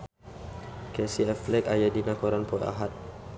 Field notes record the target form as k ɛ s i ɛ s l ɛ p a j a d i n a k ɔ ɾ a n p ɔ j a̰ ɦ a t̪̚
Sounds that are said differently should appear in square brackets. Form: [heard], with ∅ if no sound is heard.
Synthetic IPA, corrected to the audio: k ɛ s i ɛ [f] l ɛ [k] a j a d i n a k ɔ ɾ a n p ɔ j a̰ ɦ a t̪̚